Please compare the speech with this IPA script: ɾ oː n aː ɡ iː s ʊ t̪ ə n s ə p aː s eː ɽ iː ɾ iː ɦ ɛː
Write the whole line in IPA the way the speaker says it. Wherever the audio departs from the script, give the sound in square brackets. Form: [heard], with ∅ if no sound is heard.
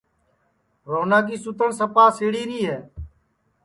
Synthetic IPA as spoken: ɾ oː n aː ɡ iː s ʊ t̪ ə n s ə p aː s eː ɽ iː ɾ iː ɦ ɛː